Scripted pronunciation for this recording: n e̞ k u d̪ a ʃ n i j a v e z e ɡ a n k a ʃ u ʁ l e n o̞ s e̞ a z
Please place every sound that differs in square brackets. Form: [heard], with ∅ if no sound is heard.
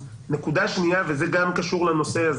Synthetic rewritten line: n e̞ k u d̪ a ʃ n i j a v e z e ɡ a [m] k a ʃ u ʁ l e n o̞ s e̞ a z